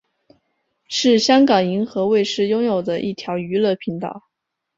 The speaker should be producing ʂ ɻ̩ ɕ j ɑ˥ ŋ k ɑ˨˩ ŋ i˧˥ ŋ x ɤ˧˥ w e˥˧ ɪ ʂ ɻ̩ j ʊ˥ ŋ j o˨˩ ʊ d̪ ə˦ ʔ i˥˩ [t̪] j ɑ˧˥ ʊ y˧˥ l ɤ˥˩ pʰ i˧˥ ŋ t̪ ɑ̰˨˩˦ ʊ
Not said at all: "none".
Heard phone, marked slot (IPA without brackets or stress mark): t̪ʰ